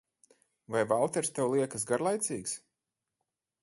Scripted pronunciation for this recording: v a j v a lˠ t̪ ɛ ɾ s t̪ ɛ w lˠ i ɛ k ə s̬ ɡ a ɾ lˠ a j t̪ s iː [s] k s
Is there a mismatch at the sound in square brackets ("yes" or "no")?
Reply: yes